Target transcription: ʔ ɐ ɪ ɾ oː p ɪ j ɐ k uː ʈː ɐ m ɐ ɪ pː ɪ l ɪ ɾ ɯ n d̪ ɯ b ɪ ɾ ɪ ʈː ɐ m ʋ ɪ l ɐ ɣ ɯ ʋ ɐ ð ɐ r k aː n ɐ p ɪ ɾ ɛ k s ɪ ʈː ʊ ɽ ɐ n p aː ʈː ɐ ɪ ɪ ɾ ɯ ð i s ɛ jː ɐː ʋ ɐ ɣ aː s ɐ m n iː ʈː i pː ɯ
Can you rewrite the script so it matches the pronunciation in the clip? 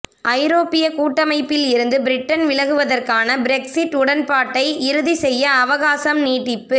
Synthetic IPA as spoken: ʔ ɐ ɪ ɾ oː p ɪ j ɐ k uː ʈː ɐ m ɐ ɪ pː ɪ l ɪ ɾ ɯ n d̪ ɯ b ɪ ɾ ɪ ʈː ɐ n ʋ ɪ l ɐ ɣ ɯ ʋ ɐ ð ɐ r k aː n ɐ b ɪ ɾ ɛ k s ɪ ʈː ʊ ɽ ɐ n p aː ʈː ɐ ɪ ɪ ɾ ɯ ð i s ɛ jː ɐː ʋ ɐ ɣ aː s ɐ m n iː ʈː ɪ pː ɯ